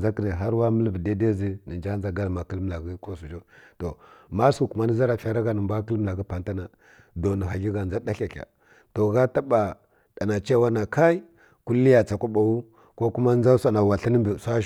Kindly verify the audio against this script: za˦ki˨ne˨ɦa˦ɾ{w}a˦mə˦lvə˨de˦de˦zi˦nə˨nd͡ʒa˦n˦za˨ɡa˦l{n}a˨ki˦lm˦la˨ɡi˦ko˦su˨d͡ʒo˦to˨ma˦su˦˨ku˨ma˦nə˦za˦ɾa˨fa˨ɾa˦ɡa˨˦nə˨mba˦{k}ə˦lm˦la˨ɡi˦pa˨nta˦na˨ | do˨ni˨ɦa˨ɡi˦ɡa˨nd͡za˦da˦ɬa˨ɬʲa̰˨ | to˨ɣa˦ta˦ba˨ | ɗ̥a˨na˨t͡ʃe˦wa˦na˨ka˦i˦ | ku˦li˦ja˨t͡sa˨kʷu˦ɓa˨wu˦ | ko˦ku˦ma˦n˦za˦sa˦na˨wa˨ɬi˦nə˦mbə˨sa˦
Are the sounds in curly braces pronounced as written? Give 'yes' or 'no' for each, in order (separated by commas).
yes, no, yes